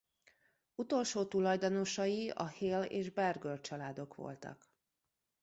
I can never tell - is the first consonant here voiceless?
yes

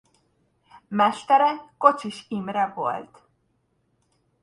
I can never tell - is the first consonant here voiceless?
no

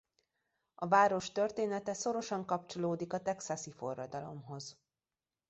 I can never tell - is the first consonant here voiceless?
no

